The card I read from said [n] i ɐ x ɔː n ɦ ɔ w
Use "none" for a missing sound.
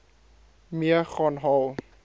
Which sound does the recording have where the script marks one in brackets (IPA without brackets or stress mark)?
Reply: m